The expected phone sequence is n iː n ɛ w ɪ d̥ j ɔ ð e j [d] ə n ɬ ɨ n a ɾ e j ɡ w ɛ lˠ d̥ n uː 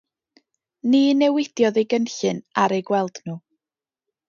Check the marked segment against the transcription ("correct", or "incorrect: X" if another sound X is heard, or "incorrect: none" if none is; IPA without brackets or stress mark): incorrect: ɡ